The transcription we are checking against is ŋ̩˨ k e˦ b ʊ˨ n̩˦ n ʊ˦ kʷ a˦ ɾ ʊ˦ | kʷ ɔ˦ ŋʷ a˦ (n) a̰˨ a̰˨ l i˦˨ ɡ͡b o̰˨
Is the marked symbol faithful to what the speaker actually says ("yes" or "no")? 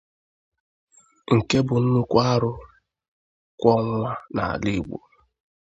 yes